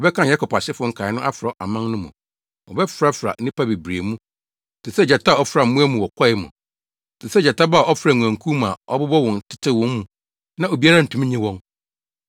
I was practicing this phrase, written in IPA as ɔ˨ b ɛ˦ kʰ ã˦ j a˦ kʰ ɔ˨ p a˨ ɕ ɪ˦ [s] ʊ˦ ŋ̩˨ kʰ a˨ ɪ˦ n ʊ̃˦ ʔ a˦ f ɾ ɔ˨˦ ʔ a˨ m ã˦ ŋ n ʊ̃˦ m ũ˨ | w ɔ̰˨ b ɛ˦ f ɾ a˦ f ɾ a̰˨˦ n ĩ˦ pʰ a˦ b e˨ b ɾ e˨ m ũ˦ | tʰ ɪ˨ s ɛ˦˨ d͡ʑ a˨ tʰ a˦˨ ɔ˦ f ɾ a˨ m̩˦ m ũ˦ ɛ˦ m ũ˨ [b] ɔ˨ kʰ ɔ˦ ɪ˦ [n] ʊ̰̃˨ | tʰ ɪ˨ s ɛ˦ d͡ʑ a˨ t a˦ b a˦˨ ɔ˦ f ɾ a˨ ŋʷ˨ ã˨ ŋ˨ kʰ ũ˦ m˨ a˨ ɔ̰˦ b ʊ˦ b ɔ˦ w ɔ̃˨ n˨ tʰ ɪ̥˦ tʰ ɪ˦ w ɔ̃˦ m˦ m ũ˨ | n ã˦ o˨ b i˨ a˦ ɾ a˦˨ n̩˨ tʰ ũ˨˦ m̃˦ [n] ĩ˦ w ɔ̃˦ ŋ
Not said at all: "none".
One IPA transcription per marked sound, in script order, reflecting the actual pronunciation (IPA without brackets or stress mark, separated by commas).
f, w, m, ɲ